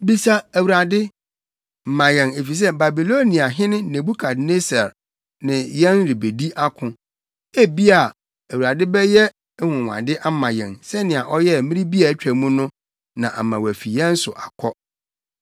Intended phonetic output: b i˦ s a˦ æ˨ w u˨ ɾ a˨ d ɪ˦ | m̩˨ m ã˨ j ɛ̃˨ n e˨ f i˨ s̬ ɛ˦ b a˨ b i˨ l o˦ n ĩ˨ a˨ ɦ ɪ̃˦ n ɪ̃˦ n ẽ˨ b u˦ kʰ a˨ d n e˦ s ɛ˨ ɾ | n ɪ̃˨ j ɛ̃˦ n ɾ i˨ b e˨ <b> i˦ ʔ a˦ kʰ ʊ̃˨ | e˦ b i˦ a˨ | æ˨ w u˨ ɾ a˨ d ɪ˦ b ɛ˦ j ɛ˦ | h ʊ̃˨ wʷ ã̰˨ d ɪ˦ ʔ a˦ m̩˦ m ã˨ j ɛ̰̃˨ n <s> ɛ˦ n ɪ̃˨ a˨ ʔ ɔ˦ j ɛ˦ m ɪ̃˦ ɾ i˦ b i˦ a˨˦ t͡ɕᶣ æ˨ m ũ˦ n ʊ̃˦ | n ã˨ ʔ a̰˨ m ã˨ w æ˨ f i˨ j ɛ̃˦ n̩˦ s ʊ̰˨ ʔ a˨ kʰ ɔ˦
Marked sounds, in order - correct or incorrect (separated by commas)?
incorrect, correct